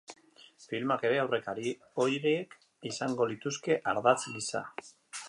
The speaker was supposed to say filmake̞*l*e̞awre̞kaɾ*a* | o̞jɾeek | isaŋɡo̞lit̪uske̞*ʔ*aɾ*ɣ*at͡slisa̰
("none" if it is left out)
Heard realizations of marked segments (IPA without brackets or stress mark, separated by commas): ɾ, i, ʔ, ð